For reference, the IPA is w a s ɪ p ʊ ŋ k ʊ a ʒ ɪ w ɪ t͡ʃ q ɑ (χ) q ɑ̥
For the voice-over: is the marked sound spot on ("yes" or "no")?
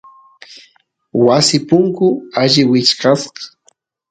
no